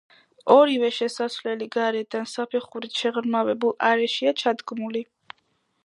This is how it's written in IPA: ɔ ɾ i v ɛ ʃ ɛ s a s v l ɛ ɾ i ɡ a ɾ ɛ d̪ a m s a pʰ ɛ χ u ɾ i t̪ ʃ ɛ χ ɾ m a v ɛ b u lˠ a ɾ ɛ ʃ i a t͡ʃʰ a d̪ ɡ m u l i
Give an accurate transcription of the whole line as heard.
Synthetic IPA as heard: ɔ ɾ i v ɛ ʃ ɛ s a s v l ɛ l i ɡ a ɾ ɛ d̪ a n s a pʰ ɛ χ u ɾ i t̪ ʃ ɛ ʁ ɾ m a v ɛ b u lˠ a ɾ ɛ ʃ i a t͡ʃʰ a d̪ ɡ m u l i